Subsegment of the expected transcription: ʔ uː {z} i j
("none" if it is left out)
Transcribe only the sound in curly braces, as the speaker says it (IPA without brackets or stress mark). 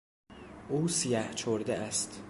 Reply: s